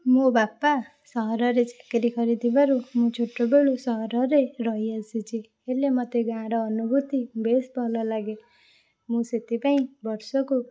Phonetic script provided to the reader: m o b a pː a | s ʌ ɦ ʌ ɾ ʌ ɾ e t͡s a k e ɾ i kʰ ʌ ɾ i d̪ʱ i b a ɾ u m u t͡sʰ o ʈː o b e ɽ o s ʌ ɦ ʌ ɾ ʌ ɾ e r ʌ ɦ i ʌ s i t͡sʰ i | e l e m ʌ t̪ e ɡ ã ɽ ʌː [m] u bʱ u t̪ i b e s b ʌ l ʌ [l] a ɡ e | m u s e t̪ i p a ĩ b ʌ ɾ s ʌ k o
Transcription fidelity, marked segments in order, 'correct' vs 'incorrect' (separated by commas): incorrect, correct